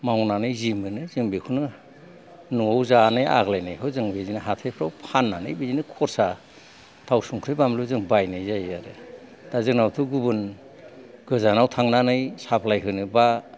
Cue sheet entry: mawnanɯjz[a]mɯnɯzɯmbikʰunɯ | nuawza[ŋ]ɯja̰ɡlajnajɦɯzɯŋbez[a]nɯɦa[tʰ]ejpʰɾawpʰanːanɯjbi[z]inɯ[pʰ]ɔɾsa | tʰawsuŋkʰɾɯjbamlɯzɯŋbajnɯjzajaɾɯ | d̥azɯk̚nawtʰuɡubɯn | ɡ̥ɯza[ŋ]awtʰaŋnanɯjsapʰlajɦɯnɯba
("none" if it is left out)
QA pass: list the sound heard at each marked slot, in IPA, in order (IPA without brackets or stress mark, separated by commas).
i, n, i, tʰ, z, kʰ, n